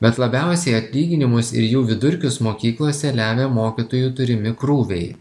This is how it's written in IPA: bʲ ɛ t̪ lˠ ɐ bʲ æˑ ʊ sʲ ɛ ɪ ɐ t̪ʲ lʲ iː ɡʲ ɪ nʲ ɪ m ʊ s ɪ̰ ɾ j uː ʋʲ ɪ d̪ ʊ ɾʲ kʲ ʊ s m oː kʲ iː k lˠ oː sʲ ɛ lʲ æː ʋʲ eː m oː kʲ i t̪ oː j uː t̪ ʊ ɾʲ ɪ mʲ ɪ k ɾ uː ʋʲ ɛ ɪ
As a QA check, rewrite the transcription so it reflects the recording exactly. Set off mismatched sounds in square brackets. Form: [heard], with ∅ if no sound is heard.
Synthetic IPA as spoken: bʲ ɛ t̪ lˠ ɐ bʲ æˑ ʊ sʲ ɛ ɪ ɐ t̪ʲ lʲ iː ɡʲ ɪ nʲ ɪ m ʊ s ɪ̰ ɾ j uː ʋʲ ɪ d̪ ʊ ɾʲ kʲ ʊ s m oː kʲ iː k lˠ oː sʲ ɛ lʲ æː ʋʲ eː m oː kʲ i t̪ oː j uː t̪ ʊ ɾʲ ɪ mʲ ɪ k ɾ uː ʋʲ ɛ ɪ